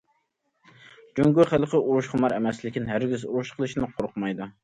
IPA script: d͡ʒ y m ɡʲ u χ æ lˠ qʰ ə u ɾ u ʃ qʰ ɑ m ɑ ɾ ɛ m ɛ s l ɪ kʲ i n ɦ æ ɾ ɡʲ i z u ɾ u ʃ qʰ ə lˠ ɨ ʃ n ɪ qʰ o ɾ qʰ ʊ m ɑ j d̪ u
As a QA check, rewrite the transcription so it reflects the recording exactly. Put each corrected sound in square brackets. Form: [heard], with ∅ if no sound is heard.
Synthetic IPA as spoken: d͡ʒ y [ŋ] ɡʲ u χ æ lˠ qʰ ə u ɾ u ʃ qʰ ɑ m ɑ ɾ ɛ m ɛ s l ɪ kʲ i n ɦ æ ɾ ɡʲ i z u ɾ u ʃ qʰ ə lˠ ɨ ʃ n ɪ qʰ o ɾ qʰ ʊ m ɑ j d̪ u